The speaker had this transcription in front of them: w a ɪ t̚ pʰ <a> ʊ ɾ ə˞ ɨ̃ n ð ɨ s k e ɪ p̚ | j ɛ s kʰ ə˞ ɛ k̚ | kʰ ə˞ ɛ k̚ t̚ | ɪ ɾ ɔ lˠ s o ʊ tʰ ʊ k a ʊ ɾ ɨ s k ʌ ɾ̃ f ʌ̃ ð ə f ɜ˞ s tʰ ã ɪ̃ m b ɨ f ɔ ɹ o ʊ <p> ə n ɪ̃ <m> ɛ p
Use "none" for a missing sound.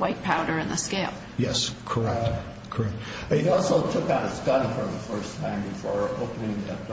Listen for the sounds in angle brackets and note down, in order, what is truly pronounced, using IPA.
a, p, ŋ

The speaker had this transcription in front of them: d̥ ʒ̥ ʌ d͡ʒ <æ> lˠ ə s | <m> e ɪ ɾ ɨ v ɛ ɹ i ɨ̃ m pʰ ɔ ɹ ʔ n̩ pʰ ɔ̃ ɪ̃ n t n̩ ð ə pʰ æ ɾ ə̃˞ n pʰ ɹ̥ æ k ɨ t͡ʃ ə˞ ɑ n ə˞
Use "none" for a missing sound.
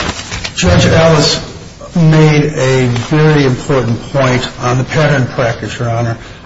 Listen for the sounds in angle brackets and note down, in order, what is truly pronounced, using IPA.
æ, m

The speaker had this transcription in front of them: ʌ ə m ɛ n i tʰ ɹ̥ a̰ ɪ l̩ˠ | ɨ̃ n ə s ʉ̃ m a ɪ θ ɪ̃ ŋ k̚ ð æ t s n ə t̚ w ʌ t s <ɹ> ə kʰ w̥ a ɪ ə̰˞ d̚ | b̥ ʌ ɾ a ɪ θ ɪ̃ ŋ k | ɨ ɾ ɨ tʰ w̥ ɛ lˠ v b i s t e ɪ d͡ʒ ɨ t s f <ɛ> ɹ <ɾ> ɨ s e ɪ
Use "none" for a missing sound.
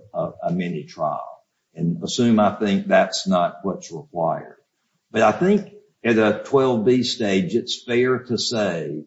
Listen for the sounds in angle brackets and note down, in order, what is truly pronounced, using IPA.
ɹ, ɛ, ɾ

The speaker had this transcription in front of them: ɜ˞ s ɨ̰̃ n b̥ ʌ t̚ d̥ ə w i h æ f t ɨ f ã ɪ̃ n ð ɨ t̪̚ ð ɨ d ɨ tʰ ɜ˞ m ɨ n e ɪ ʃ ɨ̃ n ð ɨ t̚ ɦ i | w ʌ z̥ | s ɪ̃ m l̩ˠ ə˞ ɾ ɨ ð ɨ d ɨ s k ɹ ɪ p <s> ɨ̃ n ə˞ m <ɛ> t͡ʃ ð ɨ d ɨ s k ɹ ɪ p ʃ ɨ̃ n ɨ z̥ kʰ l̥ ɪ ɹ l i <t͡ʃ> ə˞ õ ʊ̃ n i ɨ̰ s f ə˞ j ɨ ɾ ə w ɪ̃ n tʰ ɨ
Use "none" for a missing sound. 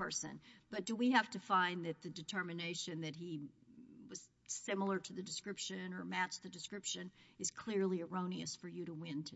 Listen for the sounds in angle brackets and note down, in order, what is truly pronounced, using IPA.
ʃ, æ, none

